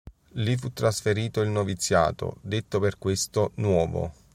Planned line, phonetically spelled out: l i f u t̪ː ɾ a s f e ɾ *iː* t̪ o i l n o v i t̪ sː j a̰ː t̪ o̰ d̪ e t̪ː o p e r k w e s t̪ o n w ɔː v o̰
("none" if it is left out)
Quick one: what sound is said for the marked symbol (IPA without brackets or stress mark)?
iː